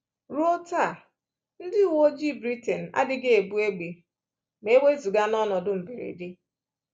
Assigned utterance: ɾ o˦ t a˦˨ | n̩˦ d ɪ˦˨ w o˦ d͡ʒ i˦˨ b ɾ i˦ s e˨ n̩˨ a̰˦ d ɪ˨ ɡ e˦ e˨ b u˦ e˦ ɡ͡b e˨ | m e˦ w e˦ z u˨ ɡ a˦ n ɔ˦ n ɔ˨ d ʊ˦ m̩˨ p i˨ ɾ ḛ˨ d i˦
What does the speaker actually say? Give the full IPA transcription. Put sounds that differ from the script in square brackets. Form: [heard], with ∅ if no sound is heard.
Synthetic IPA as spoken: ɾ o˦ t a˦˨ | n̩˦ d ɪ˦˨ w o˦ d͡ʒ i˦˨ b ɾ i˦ [t] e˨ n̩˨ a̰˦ d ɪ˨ ɡ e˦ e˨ b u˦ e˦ ɡ͡b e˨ | m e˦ w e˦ z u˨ ɡ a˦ n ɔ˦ n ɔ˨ d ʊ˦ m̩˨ [b] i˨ ɾ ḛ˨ d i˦